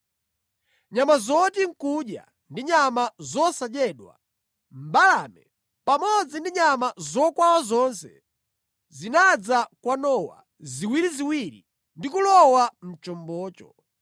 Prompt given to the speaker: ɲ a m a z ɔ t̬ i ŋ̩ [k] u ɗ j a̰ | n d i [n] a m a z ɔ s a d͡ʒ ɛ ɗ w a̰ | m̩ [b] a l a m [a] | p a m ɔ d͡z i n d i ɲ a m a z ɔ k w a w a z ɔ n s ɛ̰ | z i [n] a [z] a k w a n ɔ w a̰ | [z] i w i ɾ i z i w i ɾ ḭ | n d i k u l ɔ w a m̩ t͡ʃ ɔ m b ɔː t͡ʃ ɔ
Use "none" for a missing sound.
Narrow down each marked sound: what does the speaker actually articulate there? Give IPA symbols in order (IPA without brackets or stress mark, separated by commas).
k, ɲ, b, ɛ, n, d͡z, z